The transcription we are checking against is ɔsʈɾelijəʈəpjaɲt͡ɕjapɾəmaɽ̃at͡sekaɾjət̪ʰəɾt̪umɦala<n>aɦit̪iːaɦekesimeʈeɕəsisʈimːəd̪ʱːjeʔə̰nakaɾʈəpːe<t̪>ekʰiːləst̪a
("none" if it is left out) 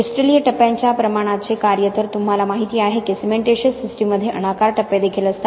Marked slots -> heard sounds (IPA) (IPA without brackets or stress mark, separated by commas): m, d̪